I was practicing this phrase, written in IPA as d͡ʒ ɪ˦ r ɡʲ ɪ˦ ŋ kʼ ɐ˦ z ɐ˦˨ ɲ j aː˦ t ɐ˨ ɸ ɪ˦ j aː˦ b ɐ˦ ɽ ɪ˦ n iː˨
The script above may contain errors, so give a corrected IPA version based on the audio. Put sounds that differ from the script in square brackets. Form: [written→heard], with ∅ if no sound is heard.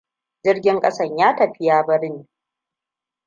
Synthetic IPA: d͡ʒ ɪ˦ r ɡʲ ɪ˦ ŋ kʼ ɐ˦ [z→s] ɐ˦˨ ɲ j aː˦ t ɐ˨ ɸ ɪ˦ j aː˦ b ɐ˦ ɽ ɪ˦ n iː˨